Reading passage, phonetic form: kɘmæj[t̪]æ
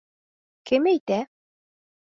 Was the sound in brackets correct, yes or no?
yes